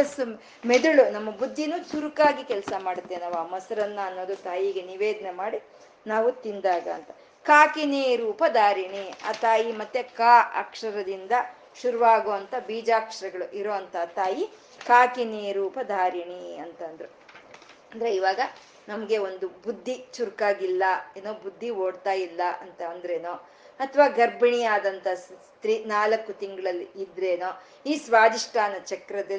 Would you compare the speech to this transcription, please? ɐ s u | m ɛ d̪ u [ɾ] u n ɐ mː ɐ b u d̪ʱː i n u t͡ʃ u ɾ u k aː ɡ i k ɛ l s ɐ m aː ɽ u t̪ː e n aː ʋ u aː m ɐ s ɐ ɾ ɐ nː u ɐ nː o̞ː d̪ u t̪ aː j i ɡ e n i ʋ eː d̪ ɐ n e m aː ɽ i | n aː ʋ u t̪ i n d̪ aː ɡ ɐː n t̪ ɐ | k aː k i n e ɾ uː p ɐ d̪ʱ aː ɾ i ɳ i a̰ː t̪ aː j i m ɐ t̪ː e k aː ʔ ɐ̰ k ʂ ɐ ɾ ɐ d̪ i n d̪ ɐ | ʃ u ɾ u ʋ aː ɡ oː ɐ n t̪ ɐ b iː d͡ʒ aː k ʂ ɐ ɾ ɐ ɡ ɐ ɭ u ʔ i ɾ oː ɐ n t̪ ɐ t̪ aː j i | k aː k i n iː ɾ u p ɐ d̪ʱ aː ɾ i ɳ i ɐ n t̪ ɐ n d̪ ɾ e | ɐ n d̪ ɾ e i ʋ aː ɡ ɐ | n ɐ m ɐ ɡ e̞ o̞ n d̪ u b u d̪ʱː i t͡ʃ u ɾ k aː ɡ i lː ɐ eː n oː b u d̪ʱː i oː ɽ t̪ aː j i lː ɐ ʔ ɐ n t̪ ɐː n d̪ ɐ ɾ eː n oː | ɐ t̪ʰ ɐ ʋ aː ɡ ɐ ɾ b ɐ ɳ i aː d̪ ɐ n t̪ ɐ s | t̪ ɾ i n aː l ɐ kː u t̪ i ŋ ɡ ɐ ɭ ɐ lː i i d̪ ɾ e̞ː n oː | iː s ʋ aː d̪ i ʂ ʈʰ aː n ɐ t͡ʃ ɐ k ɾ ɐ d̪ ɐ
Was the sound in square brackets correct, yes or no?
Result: no